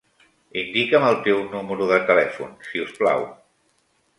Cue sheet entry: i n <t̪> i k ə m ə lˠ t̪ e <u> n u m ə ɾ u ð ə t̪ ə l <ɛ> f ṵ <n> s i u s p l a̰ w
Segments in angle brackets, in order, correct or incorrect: incorrect, incorrect, correct, correct

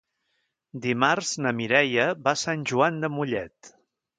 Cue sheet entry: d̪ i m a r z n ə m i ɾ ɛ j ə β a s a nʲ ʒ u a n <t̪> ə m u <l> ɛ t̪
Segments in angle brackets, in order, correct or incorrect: incorrect, incorrect

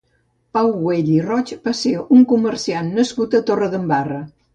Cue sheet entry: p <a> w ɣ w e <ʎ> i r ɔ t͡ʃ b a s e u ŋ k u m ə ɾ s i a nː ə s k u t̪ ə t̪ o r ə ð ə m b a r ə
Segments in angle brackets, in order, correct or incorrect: correct, correct

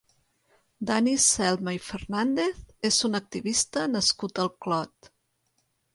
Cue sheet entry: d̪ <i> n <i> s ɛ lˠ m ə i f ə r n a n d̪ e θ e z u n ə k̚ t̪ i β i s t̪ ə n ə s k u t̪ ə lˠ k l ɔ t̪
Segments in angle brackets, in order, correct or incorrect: incorrect, correct

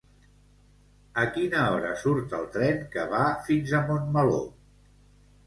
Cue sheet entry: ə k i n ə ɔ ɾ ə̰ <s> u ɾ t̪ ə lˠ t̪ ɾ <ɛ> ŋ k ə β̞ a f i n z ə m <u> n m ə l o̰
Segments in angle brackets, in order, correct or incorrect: correct, correct, incorrect

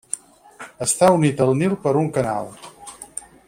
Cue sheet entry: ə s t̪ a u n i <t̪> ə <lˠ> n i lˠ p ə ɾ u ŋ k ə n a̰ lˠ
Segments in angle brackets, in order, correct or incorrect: correct, correct

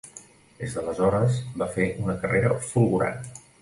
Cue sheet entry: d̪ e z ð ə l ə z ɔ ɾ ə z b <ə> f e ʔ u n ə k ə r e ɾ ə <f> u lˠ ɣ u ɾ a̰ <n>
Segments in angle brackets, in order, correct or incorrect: incorrect, correct, correct

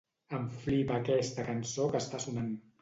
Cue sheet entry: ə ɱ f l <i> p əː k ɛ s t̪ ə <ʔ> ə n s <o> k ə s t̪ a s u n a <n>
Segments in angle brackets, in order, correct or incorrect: correct, incorrect, correct, correct

